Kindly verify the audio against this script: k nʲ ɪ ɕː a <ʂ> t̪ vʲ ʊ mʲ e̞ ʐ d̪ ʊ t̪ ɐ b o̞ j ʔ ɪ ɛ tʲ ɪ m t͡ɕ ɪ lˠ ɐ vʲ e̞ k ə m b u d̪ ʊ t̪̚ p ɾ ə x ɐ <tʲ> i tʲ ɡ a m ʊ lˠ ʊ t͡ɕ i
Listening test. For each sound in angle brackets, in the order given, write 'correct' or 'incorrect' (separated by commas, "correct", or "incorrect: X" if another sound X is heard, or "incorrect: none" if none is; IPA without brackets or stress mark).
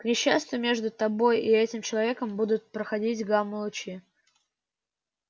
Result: incorrect: s, incorrect: dʲ